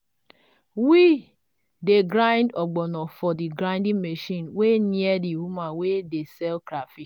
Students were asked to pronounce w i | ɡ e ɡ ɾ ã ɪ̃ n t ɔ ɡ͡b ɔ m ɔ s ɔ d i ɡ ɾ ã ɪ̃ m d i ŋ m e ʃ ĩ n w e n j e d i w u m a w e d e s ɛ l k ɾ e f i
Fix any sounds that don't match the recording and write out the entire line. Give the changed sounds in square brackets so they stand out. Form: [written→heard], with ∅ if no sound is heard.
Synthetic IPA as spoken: w i | [ɡ→d] e ɡ ɾ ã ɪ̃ n [t→d] ɔ ɡ͡b ɔ [m→n] ɔ [s→f] ɔ d i ɡ ɾ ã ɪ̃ [m→n] d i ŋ m e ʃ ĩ n w e n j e d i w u m a w e d e s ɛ l k ɾ [e→a] f i